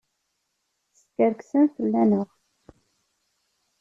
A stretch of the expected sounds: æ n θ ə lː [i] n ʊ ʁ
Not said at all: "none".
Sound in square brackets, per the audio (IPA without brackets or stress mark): æ